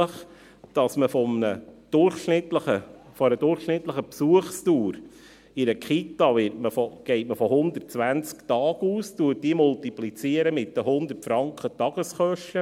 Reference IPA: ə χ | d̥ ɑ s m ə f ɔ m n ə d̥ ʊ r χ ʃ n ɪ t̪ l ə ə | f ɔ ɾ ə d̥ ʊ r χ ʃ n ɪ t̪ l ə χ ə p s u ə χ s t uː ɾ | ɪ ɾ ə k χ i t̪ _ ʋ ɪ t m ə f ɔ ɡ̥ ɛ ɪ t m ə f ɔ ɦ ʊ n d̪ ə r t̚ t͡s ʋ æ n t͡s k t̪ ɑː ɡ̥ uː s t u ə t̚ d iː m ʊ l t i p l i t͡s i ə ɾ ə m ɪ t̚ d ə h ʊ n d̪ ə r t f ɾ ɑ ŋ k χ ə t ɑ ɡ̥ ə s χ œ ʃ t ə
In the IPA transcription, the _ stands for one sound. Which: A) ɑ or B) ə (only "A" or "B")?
A